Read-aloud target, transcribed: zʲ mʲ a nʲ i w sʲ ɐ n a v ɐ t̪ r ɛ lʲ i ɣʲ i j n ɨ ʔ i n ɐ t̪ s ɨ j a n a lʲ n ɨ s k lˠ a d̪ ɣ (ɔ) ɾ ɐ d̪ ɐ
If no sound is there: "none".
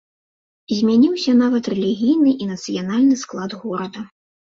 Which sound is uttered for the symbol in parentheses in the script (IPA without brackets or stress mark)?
ɔ